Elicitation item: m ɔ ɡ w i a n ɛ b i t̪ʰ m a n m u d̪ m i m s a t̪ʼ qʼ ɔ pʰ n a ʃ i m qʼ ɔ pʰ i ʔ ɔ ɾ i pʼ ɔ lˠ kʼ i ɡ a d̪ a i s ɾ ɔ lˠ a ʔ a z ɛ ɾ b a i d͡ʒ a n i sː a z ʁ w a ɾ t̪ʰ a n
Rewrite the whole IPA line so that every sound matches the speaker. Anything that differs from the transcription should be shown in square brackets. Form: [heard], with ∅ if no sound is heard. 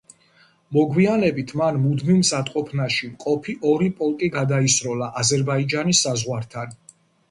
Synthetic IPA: m ɔ ɡ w i a n ɛ b i t̪ʰ m a n m u d̪ m i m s a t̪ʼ qʼ ɔ pʰ n a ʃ i m qʼ ɔ pʰ i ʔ ɔ ɾ i pʼ ɔ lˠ kʼ i ɡ a d̪ a i s ɾ ɔ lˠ a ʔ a z ɛ ɾ b a i d͡ʒ a n i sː a z ʁ w a ɾ t̪ʰ a n